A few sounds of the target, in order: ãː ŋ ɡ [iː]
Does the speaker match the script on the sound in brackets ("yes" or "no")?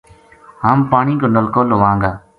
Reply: no